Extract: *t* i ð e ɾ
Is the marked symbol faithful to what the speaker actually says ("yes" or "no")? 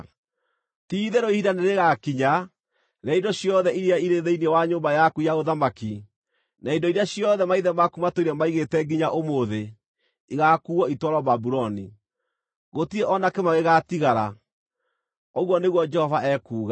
yes